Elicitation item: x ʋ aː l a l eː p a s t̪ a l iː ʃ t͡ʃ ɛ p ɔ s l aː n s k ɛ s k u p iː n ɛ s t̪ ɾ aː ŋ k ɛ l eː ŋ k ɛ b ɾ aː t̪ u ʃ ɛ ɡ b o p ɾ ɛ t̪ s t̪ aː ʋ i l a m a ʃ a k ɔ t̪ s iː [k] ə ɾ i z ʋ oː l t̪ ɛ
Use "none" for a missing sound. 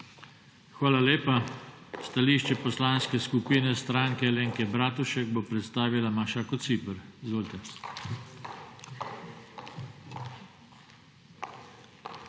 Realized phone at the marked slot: p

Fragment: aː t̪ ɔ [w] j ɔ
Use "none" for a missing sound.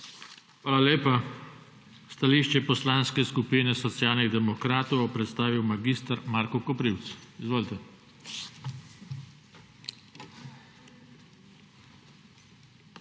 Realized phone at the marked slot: w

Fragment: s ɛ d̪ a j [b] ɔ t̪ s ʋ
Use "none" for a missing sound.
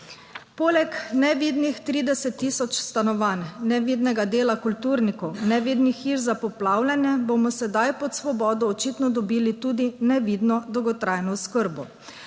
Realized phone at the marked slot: p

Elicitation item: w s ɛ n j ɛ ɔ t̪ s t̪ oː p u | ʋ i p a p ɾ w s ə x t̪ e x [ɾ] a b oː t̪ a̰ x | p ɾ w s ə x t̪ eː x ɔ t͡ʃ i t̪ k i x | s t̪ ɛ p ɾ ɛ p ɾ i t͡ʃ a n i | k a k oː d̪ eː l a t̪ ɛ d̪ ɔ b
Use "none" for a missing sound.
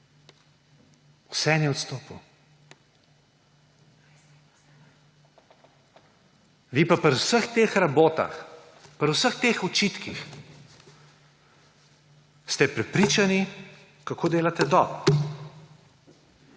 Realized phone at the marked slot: ɾ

